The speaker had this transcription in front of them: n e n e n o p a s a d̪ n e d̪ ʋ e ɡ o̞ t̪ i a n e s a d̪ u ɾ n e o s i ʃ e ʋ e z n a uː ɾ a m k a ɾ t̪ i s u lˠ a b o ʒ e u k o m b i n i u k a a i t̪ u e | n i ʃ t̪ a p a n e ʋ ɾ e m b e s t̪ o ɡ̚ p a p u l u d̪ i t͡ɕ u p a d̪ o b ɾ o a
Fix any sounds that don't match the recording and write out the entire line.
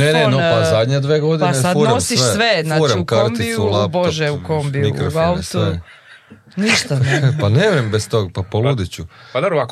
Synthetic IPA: n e n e n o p a z a d̪ ɲ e d̪ ʋ e ɡ o̞ d̪ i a n e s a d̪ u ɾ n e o s i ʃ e ʋ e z n a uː ɾ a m k a ɾ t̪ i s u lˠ a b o ʒ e u k o m b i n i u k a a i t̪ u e | n i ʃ t̪ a p a n e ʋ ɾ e m b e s t̪ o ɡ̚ p a p o l u d̪ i t͡ɕ u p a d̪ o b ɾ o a